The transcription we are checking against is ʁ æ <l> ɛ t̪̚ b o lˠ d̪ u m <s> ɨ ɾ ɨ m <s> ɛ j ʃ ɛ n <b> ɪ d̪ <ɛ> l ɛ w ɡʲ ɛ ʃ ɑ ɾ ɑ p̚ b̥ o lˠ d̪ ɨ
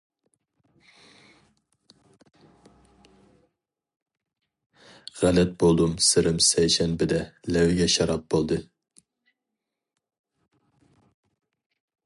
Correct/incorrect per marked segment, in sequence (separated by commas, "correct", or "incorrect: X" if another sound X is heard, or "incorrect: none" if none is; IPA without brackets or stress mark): correct, correct, correct, correct, correct